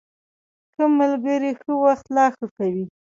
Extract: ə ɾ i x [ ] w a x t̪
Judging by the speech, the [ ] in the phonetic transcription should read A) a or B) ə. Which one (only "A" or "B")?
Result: B